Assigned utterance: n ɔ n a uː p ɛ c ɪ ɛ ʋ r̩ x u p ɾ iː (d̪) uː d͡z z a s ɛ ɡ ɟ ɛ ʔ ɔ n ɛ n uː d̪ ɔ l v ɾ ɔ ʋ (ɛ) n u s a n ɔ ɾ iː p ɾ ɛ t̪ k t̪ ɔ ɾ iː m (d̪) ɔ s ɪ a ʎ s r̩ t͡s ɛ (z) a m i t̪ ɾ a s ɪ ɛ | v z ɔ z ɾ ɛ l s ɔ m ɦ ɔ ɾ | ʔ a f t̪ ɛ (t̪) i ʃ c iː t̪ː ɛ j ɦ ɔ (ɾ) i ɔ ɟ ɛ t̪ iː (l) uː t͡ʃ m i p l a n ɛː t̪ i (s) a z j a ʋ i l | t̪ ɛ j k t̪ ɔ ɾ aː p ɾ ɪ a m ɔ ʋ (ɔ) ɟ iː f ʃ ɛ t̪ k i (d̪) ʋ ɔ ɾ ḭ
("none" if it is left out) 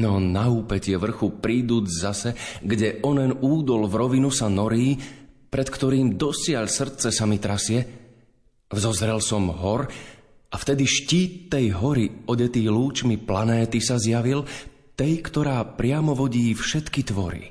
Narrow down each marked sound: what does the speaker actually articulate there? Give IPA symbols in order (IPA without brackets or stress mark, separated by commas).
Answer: d̪, i, d̪, s, d̪, ɾ, l, s, ɔ, t̪